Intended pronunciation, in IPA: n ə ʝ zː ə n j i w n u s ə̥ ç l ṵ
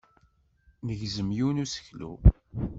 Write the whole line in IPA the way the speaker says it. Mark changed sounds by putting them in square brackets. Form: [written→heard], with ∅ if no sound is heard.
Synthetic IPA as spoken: n ə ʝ [zː→z] ə [n→m] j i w n u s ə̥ ç l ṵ